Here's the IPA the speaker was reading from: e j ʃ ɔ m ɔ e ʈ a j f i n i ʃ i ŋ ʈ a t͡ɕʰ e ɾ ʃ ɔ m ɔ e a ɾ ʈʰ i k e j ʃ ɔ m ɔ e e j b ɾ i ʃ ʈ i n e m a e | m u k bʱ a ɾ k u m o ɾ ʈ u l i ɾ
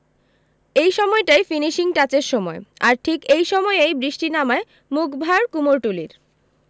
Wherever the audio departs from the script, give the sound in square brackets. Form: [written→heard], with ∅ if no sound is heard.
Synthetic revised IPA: e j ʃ ɔ m ɔ e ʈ a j f i n i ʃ i ŋ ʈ a [t͡ɕʰ→t͡ɕ] e ɾ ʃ ɔ m ɔ e a ɾ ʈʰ i k e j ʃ ɔ m ɔ e e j b ɾ i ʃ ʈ i n [e→a] m a e | m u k bʱ a ɾ k u m o ɾ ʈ u l i ɾ